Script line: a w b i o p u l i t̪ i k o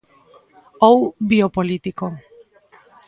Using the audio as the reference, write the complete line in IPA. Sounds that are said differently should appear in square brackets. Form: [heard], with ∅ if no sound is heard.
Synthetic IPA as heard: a w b i o p [o] l i t̪ i k o

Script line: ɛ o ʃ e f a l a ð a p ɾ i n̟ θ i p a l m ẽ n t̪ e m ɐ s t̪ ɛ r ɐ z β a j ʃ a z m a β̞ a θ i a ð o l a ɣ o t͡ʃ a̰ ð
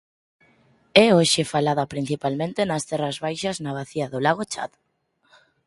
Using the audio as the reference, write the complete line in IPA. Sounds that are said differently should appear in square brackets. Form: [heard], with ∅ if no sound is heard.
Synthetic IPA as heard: ɛ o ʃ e f a l a ð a p ɾ i n̟ θ i p a l m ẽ n t̪ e [n] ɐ s t̪ ɛ r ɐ z β a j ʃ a z [n] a β̞ a θ i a ð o l a ɣ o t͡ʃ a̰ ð

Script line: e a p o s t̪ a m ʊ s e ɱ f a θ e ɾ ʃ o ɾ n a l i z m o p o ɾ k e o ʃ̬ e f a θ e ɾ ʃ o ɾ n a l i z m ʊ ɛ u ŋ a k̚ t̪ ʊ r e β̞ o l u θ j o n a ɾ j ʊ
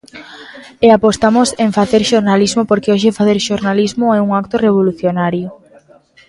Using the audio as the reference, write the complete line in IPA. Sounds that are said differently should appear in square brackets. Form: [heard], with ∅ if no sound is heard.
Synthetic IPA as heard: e a p o s t̪ a m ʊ s e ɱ f a θ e ɾ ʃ o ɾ n a l i z m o p o ɾ k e o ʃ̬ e f a θ e ɾ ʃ o ɾ n a l i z m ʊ ɛ u ŋ a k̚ t̪ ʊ r e β̞ o l u θ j o n a ɾ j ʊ

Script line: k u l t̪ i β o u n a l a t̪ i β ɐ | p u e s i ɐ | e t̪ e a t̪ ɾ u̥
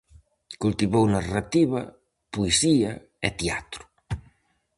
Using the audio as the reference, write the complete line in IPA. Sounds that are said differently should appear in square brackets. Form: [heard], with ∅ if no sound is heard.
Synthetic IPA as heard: k u l t̪ i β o [w] n a [r] a t̪ i β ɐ | p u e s i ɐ | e t̪ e a t̪ ɾ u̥

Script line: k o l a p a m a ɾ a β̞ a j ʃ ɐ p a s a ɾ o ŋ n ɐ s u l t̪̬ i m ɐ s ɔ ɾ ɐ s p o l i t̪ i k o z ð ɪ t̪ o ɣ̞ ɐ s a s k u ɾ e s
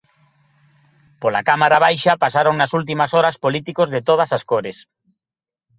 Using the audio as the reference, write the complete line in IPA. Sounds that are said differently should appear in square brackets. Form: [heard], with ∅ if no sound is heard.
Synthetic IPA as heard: [p] o l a [k] a m a ɾ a β̞ a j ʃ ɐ p a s a ɾ o ŋ n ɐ s u l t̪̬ i m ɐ s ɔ ɾ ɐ s p o l i t̪ i k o z ð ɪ t̪ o [ð̞] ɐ s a s k [o] ɾ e s

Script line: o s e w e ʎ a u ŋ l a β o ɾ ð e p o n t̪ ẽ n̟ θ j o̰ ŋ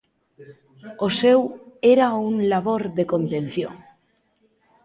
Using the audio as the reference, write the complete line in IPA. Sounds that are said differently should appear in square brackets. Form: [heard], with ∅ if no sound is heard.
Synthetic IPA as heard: o s e w e [ɾ] a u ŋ l a β o ɾ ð e [k] o n t̪ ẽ n̟ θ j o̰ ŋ

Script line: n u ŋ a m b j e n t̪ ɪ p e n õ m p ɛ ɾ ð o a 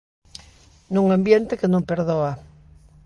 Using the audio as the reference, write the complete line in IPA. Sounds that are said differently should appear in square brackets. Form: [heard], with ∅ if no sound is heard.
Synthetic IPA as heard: n u ŋ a m b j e n t̪ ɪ [k] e n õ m p [e] ɾ ð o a

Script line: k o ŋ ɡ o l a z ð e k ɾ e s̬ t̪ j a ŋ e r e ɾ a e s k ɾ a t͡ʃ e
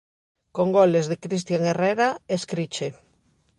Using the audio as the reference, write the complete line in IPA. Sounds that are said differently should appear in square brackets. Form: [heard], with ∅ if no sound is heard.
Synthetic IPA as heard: k o ŋ ɡ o l [e] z ð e k ɾ [i] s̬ t̪ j a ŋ e r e ɾ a e s k ɾ [i] t͡ʃ e

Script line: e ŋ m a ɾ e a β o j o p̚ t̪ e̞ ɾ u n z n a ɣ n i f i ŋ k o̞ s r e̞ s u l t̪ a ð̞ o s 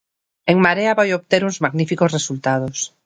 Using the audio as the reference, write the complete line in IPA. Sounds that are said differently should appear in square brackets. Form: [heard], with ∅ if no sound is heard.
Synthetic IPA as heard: e ŋ m a ɾ e a β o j o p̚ t̪ e̞ ɾ u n z [m] a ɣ n i f i [∅] k o̞ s r e̞ s u l t̪ a ð̞ o s

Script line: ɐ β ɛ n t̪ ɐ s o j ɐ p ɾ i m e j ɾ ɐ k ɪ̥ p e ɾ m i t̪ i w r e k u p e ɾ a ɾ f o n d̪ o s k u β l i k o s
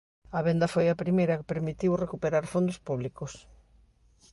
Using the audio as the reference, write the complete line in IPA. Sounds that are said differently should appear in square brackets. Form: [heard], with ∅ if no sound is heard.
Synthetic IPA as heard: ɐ β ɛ n [d̪] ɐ [f] o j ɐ p ɾ i m e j ɾ ɐ k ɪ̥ p e ɾ m i t̪ i w r e k u p e ɾ a ɾ f o n d̪ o s [p] u β l i k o s

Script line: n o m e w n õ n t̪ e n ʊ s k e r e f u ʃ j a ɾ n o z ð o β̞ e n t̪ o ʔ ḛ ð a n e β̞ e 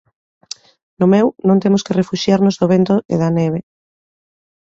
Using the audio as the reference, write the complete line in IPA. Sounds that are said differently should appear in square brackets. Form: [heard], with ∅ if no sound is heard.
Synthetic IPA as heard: n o m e w n õ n t̪ e [m] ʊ s k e r e f u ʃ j a ɾ n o z ð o β̞ e n t̪ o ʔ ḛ ð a n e β̞ e

